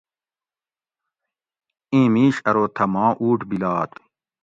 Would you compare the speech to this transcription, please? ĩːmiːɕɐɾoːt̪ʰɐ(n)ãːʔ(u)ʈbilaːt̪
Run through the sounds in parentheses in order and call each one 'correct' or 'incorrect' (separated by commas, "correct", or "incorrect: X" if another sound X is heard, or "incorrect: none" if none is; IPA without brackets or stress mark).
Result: incorrect: m, incorrect: uː